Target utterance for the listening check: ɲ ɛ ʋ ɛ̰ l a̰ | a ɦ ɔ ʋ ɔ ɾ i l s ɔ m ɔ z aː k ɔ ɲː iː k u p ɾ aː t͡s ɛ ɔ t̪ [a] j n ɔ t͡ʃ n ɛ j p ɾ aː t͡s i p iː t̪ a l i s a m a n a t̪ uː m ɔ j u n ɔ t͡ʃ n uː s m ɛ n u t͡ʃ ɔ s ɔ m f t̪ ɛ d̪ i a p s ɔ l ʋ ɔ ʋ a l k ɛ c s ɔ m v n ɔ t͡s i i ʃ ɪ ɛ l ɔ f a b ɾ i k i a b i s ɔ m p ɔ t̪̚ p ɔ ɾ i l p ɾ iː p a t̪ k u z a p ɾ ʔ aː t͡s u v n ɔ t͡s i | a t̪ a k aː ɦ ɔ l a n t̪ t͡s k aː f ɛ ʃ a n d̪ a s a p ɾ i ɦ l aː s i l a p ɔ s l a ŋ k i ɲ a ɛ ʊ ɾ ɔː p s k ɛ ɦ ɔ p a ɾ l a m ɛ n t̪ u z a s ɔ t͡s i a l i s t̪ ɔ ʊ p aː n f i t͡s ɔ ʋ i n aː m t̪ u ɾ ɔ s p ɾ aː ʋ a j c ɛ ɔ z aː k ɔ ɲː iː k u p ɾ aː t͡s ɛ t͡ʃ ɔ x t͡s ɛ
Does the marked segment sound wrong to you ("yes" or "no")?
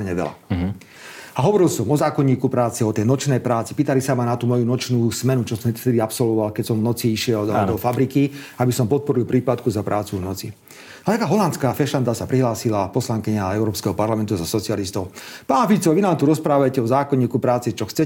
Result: yes